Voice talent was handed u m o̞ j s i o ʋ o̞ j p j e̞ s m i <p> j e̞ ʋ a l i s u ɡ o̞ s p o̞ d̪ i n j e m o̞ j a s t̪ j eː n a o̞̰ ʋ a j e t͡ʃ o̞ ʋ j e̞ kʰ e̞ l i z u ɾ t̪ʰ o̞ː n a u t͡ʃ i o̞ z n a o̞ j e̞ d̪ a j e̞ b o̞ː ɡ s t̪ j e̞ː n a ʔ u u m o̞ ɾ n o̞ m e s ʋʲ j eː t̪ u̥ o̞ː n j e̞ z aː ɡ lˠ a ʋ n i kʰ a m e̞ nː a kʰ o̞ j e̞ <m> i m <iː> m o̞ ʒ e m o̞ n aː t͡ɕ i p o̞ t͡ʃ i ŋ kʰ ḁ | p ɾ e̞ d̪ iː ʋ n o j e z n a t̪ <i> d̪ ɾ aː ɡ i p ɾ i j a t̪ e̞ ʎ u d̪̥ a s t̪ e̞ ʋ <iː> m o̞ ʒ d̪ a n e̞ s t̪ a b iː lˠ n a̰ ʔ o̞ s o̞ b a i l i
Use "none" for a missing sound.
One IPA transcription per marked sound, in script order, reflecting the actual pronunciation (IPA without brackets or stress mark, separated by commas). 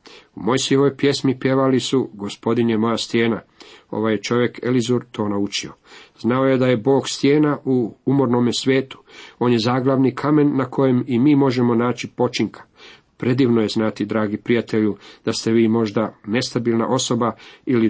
p, m, iː, i, iː